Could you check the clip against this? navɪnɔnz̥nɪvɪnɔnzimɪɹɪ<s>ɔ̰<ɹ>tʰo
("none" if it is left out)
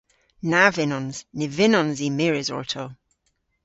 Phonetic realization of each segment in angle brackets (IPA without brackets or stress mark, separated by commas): z, ɹ